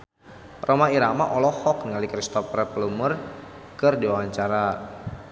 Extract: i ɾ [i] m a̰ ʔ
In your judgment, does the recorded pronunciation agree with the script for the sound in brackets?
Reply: no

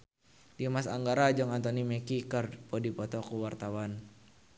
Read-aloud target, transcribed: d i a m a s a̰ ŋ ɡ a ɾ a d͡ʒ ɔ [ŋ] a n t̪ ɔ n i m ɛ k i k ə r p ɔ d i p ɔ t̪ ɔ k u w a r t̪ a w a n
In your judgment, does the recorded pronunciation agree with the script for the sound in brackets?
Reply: yes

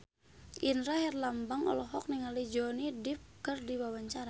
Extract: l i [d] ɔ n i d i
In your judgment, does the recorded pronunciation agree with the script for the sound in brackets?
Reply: no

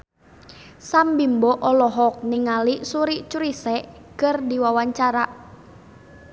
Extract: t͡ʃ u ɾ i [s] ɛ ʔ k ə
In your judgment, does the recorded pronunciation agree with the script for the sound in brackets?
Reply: yes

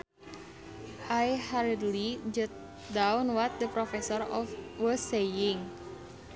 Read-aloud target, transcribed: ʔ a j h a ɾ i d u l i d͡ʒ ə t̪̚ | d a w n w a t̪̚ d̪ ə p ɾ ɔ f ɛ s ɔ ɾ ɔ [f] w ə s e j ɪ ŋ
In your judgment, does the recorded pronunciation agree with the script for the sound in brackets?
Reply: yes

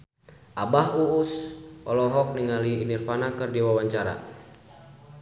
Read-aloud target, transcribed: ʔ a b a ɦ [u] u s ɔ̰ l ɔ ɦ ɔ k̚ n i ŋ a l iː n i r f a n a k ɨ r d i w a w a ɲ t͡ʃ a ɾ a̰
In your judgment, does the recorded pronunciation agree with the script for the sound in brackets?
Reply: yes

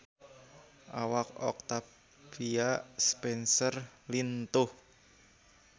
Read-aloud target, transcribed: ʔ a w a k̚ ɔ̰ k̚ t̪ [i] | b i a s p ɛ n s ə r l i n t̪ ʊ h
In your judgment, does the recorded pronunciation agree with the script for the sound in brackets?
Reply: no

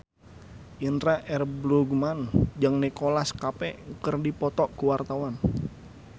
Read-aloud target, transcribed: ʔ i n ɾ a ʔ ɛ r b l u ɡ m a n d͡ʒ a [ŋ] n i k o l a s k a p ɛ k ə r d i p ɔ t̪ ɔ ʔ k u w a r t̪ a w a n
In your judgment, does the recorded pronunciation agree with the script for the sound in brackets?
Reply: yes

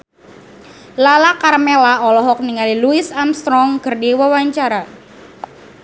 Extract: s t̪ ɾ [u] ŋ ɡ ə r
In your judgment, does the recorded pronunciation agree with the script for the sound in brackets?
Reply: no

